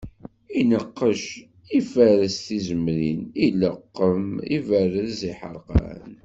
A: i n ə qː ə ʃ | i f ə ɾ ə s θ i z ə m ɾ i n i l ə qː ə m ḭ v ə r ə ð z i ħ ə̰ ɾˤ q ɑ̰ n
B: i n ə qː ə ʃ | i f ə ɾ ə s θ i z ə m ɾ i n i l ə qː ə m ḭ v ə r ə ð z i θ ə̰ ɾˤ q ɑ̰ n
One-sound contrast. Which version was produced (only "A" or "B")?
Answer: A